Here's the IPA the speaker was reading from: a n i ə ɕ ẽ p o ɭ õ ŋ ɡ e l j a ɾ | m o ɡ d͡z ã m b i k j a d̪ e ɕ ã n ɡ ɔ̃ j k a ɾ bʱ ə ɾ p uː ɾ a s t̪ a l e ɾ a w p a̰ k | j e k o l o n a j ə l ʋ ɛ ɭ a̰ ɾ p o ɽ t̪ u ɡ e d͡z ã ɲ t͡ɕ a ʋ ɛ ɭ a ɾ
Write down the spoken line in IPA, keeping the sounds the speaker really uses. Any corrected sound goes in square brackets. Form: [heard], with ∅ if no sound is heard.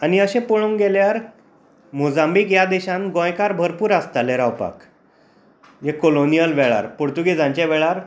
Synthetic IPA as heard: a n i ə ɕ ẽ p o ɭ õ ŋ ɡ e l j a ɾ | m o [∅] d͡z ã m b i k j a d̪ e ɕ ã n ɡ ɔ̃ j k a ɾ bʱ ə ɾ p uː ɾ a s t̪ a l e ɾ a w p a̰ k | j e k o l o n [i] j ə l ʋ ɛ ɭ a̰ ɾ p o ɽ t̪ u ɡ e d͡z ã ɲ t͡ɕ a ʋ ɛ ɭ a ɾ